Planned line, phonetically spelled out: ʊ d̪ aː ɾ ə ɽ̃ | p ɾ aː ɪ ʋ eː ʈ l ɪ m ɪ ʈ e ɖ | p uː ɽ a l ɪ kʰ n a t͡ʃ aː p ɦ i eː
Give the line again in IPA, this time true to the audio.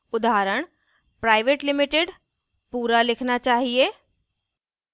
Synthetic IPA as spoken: ʊ d̪ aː ɾ ə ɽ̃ | p ɾ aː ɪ ʋ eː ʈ l ɪ m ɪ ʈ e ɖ | p uː ɾ a l ɪ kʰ n a t͡ʃ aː ɦ i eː

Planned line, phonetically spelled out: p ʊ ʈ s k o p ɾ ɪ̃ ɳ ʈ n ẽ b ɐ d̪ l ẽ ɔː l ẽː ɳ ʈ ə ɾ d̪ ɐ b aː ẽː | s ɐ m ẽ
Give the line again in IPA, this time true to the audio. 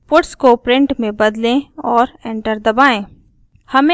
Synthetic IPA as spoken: p ʊ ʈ s k o p ɾ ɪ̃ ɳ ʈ m ẽ b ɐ d̪ l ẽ ɔː ɾ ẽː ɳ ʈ ə ɾ d̪ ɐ b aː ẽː | h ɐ m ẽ

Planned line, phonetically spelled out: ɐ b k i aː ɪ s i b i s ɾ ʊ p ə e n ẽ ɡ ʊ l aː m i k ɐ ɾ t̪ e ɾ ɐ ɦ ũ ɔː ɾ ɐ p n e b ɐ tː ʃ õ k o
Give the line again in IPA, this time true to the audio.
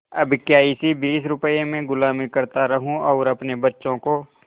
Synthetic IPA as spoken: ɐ b k j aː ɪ s i b iː s ɾ ʊ p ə e m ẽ ɡ ʊ l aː m i k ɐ ɾ t̪ a ɾ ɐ ɦ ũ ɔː ɾ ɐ p n e b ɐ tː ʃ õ k o

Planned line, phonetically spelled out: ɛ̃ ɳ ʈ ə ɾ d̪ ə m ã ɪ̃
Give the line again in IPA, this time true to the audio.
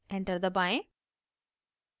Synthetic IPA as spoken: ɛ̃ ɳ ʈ ə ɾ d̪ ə b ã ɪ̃

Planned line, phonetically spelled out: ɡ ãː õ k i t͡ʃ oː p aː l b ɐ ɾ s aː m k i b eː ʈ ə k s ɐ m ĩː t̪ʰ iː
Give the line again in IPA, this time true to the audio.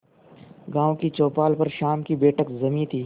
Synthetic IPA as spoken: ɡ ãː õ k i t͡ʃ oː p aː l p ɐ ɾ ʃ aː m k i b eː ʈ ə k z ɐ m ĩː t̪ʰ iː

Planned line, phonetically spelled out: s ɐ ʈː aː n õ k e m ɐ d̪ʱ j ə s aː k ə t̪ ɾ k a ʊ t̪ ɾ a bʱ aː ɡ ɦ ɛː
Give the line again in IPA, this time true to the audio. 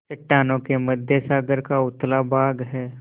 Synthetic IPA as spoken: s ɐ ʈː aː n õ k e m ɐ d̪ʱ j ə s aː ɡ ə ɾ k a ʊ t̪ l a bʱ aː ɡ ɦ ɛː

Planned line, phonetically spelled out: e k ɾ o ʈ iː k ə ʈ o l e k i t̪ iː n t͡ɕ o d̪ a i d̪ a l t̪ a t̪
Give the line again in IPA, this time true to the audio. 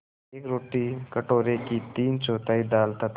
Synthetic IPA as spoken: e k ɾ o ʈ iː k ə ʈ o ɾ e k i t̪ iː n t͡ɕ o t̪ a i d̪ a l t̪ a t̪

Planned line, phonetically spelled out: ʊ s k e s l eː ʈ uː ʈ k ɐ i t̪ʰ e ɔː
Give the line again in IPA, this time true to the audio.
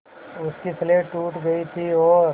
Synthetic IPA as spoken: ʊ s k i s l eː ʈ uː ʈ ɡ ɐ i t̪ʰ i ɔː

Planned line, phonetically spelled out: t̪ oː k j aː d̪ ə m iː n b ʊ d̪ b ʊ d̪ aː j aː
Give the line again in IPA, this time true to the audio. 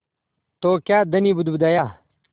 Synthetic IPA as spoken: t̪ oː k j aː d̪ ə n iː b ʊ d̪ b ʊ d̪ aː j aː

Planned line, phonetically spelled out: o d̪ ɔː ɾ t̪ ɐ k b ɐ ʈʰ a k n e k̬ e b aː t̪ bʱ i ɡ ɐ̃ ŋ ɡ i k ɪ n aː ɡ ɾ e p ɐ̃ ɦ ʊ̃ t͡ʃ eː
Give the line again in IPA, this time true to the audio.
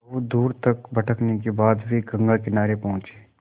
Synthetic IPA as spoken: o d̪ uː ɾ t̪ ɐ k b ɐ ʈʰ ə k n e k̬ e b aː d̪ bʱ i ɡ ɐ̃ ŋ ɡ a k ɪ n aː ɾ e p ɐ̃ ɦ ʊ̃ t͡ʃ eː

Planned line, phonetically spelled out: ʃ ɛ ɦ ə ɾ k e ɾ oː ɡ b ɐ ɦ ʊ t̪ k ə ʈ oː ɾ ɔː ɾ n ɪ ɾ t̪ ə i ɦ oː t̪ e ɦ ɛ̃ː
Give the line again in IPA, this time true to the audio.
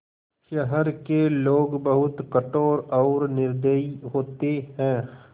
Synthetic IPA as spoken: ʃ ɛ ɦ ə ɾ k e l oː ɡ b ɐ ɦ ʊ t̪ k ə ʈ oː ɾ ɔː ɾ n ɪ ɾ d̪ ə i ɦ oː t̪ e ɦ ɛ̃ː

